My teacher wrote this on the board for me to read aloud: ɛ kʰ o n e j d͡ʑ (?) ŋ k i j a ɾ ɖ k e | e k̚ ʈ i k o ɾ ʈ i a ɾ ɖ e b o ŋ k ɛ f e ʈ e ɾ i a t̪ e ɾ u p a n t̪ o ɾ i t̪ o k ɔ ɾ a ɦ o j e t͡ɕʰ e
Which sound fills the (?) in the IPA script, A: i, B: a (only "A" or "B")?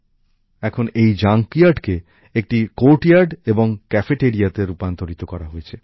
B